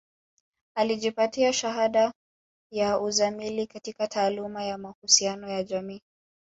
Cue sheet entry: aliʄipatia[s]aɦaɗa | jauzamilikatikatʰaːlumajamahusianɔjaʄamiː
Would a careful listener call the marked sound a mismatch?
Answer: yes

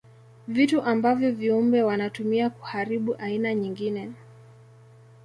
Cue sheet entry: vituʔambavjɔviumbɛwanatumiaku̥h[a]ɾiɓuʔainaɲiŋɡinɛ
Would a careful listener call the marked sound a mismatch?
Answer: no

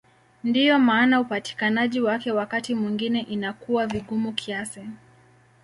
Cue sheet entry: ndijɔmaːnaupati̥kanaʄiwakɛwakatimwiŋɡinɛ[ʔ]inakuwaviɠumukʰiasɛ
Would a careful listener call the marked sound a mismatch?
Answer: no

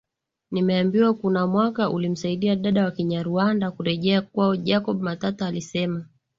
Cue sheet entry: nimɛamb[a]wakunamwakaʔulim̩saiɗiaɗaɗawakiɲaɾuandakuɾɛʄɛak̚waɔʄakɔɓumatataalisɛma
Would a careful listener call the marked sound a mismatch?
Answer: yes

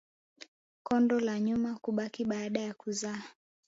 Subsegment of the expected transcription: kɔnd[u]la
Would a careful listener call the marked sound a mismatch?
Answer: yes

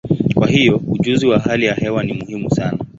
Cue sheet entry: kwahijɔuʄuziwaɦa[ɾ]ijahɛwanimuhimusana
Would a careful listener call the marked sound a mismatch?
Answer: yes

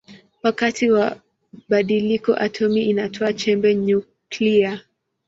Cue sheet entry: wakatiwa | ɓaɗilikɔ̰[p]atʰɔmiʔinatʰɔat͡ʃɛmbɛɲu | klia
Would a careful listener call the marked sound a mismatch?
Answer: yes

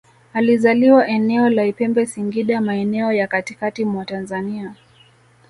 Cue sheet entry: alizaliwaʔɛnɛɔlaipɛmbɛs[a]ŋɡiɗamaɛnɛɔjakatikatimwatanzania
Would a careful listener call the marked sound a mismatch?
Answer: yes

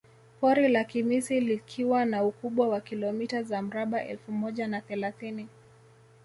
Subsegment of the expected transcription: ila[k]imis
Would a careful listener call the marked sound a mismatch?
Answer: no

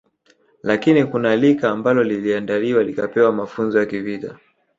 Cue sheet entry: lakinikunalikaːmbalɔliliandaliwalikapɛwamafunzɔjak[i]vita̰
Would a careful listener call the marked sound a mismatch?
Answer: no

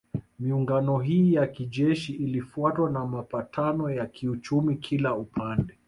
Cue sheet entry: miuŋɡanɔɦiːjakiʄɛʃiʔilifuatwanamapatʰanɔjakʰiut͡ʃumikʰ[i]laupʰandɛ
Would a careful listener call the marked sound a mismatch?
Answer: no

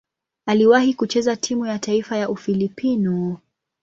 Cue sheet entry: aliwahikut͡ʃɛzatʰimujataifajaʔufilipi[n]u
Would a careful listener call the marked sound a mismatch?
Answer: no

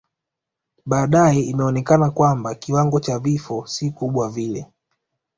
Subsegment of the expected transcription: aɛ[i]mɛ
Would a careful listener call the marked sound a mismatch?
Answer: no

